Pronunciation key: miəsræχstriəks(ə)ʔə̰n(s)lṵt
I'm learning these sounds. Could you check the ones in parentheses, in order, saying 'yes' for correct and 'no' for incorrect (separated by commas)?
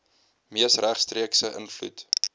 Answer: yes, no